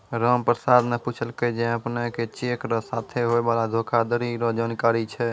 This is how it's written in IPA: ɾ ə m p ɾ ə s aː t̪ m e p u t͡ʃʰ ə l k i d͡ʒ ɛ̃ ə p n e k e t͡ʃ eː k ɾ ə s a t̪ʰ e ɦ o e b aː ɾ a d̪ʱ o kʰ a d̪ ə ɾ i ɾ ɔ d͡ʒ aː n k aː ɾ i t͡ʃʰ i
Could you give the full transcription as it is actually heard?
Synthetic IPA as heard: ɾ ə m p ɾ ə s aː d̪ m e p u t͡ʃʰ ə l k e d͡ʒ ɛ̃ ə p n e k e t͡ʃ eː k ɾ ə s a t̪ʰ e ɦ o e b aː l a d̪ʱ o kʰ a d̪ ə ɾ i ɾ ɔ d͡ʒ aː n k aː ɾ i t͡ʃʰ ɛ